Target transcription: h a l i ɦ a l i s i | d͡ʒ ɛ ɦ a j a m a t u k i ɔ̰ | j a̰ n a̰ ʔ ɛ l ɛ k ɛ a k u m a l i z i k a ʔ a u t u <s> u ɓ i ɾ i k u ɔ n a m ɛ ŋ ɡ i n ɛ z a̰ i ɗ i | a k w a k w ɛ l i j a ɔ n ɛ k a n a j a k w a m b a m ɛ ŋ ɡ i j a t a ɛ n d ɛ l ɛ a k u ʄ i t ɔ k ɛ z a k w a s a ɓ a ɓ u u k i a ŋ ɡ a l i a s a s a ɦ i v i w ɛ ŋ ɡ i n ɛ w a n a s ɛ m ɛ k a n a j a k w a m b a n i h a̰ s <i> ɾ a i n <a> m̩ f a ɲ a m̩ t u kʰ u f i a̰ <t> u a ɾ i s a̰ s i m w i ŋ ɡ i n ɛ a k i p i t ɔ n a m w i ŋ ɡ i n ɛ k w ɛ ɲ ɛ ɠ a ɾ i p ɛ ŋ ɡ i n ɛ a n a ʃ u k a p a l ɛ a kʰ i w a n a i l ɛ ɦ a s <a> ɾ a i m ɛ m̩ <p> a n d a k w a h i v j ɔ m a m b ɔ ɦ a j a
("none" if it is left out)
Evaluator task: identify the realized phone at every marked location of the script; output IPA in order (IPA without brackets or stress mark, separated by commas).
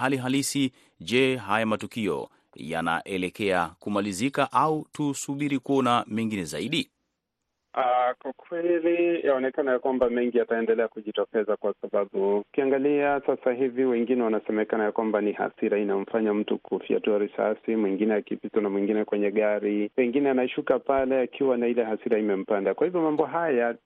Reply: s, i, a, t, i, p